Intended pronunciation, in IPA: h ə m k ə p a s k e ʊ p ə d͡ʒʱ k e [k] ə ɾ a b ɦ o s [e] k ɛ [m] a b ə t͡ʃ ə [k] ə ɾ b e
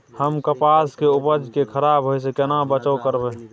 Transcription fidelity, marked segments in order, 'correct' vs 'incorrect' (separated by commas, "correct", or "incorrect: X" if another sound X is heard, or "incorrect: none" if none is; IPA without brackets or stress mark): incorrect: kʰ, correct, incorrect: n, correct